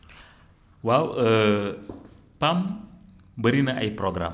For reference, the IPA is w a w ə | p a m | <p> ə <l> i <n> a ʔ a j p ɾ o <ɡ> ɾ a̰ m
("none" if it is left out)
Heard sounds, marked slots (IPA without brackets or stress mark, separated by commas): b, ɾ, n, ɡ